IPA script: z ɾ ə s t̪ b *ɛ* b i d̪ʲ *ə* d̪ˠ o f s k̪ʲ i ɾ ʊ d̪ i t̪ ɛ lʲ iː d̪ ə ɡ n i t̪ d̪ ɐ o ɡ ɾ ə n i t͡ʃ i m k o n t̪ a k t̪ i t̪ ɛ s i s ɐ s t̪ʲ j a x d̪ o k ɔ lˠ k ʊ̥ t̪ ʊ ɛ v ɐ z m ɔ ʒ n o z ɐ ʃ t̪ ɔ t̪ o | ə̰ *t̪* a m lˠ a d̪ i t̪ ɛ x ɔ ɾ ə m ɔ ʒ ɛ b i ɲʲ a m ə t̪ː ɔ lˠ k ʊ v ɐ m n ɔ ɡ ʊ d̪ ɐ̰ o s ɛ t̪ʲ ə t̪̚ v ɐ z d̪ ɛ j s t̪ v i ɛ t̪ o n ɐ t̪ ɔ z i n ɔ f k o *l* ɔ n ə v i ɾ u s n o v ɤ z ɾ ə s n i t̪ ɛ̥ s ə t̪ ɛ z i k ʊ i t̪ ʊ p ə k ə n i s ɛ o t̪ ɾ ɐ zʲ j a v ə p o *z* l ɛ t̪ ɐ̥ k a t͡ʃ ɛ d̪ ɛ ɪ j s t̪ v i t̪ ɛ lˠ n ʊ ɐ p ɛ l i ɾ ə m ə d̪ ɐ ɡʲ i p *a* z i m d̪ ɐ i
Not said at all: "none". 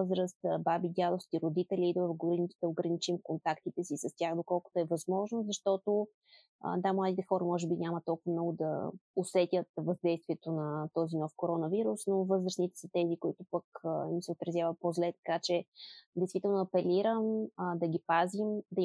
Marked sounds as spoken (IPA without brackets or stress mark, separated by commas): a, a, d̪, ɾ, z, a